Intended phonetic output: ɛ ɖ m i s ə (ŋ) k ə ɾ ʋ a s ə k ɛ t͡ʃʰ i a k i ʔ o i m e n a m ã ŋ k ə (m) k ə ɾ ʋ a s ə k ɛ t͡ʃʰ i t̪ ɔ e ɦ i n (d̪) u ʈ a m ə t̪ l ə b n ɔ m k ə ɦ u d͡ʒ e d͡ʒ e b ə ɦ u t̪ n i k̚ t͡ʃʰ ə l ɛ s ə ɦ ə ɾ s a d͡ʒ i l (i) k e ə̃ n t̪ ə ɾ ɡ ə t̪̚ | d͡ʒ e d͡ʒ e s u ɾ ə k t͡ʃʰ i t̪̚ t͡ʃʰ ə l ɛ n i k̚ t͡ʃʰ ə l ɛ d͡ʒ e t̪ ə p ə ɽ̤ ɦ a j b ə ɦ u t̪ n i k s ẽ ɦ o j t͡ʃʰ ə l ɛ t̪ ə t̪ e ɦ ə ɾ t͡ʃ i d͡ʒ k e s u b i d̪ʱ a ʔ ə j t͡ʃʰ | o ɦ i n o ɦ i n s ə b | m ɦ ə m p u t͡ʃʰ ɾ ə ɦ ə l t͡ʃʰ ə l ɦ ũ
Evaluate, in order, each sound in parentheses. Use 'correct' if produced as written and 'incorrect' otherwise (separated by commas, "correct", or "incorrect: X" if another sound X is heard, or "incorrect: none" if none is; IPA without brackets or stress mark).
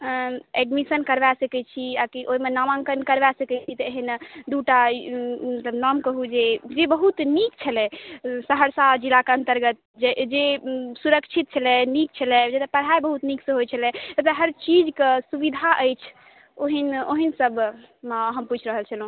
incorrect: n, incorrect: n, correct, incorrect: a